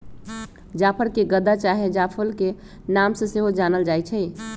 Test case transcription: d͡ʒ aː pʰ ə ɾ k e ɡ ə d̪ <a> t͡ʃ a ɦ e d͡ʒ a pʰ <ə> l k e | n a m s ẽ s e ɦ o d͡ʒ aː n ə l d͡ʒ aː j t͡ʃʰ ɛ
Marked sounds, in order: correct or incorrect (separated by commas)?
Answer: correct, correct